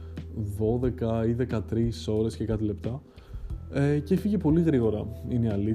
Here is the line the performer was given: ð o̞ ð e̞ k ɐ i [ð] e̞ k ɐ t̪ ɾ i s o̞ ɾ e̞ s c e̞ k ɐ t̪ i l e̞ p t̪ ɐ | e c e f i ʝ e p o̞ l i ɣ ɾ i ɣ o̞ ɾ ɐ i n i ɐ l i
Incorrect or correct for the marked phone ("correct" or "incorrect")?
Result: correct